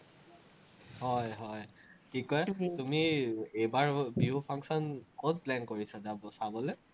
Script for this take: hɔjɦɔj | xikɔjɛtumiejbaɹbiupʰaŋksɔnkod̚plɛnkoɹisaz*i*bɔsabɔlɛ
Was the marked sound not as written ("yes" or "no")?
yes